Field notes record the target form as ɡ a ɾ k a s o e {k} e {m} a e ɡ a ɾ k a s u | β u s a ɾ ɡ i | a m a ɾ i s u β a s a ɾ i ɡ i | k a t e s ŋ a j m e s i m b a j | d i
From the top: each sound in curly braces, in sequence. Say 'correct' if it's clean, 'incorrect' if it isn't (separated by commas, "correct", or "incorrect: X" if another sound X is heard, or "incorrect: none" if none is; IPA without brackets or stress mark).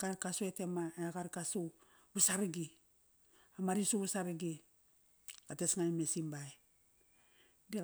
incorrect: t, correct